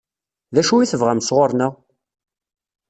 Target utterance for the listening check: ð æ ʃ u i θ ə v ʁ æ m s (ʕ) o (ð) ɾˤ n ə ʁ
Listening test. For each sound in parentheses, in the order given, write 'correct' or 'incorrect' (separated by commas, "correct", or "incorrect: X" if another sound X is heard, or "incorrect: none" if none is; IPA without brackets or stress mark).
incorrect: ʁ, incorrect: none